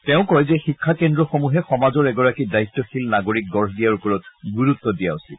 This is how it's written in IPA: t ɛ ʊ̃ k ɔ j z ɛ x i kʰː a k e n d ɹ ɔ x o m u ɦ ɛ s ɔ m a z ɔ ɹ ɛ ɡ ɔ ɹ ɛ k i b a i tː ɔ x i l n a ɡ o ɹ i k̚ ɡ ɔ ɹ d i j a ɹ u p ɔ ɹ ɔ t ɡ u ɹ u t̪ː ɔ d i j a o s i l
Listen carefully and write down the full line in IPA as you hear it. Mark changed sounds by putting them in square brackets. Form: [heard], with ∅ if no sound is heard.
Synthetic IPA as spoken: t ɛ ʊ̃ k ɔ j z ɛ x i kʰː a k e n d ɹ ɔ x o m u ɦ ɛ [x] ɔ m a z ɔ ɹ ɛ ɡ ɔ ɹ [a] k i [d] a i tː ɔ x i l n a ɡ o ɹ i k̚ ɡ ɔ ɹ d i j a ɹ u p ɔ ɹ ɔ t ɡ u ɹ u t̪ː ɔ d i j a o s i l

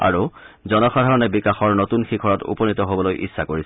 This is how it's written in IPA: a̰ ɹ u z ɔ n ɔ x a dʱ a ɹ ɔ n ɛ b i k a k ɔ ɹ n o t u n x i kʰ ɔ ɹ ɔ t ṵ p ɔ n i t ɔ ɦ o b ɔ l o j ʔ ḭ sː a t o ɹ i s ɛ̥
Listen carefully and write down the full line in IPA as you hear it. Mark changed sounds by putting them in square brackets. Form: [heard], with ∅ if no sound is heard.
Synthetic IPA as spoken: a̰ ɹ u z ɔ n ɔ x a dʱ a ɹ ɔ n ɛ b i k a [x] ɔ ɹ n o t u n x i kʰ ɔ ɹ ɔ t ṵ p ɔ n i t ɔ ɦ o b ɔ l o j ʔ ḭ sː a [k] o ɹ i s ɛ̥

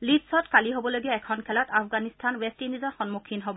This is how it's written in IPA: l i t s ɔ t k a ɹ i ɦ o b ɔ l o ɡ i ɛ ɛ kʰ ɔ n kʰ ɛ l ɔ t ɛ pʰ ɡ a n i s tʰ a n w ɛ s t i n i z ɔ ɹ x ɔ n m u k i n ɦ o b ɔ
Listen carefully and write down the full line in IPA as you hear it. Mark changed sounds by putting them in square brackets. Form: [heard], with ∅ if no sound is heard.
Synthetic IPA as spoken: l i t s ɔ t k a [l] i ɦ o b ɔ l o ɡ i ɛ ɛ kʰ ɔ n kʰ ɛ l ɔ t [a] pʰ ɡ a n i s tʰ a n w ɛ s t i n i z ɔ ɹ x ɔ n m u [kʰ] i n ɦ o b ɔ

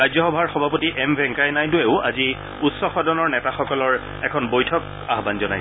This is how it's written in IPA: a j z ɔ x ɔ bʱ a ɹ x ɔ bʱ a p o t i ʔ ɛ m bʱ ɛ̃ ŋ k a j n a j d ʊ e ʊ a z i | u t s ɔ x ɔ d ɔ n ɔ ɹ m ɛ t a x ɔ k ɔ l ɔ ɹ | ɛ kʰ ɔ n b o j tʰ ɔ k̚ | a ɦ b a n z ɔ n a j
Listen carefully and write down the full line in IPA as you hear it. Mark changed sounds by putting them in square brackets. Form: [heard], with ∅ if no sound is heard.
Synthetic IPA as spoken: a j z ɔ x ɔ bʱ a ɹ x ɔ bʱ a p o t i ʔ ɛ m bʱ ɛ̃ ŋ k a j n a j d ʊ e ʊ a z i | u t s ɔ x ɔ d ɔ n ɔ ɹ [n] ɛ t a x ɔ k ɔ l ɔ ɹ | ɛ kʰ ɔ n b o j tʰ ɔ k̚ | a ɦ b a n z ɔ n a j

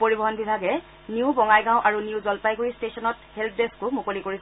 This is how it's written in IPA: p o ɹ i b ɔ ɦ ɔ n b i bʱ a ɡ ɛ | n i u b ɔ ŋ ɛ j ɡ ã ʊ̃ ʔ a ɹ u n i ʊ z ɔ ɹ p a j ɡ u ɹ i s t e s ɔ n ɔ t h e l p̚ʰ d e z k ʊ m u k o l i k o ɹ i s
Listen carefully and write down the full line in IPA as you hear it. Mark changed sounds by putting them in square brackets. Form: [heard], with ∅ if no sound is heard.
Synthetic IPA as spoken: p o ɹ i b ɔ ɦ ɔ n b i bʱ a ɡ ɛ | n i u b ɔ ŋ [a] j ɡ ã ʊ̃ ʔ a ɹ u n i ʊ z ɔ [l] p a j ɡ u ɹ i s t e s ɔ n ɔ t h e l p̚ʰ d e [s] k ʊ m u k o l i k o ɹ i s

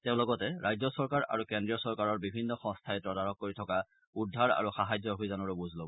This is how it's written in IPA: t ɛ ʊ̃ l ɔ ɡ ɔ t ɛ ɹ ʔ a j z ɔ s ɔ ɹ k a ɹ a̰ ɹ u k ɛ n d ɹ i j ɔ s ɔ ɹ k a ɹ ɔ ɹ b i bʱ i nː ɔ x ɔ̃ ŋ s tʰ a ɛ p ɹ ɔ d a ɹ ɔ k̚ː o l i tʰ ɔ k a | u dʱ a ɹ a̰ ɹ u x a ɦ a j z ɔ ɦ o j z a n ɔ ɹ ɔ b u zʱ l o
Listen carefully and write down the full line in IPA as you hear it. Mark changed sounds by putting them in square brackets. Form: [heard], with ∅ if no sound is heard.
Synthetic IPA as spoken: t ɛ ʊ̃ l ɔ ɡ ɔ t ɛ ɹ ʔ a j z ɔ s ɔ ɹ k a ɹ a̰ ɹ u k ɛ n d ɹ i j ɔ s ɔ ɹ k a ɹ ɔ ɹ b i bʱ i nː ɔ x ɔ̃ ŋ s tʰ a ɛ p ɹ ɔ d a ɹ ɔ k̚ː o [ɹ] i tʰ ɔ k a | u dʱ a ɹ a̰ ɹ u x a ɦ a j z ɔ ɦ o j z a n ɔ ɹ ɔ b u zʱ l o

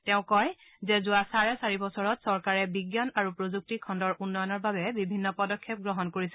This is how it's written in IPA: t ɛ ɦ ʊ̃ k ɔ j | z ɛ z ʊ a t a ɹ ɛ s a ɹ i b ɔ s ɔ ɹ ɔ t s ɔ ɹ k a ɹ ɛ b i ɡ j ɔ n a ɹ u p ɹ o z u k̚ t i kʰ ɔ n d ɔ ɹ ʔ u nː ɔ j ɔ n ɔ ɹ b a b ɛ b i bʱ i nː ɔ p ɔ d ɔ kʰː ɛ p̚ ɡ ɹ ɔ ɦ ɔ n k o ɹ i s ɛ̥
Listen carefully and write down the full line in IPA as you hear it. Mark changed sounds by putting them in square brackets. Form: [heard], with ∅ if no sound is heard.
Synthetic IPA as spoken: t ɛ [∅] ʊ̃ k ɔ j | z ɛ z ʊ a [s] a ɹ ɛ s a ɹ i b ɔ s ɔ ɹ ɔ t s ɔ ɹ k a ɹ ɛ b i ɡ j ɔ n a ɹ u p ɹ o z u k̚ t i kʰ ɔ n d ɔ ɹ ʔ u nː ɔ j ɔ n ɔ ɹ b a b ɛ b i bʱ i nː ɔ p ɔ d ɔ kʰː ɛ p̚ ɡ ɹ ɔ ɦ ɔ n k o ɹ i s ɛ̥

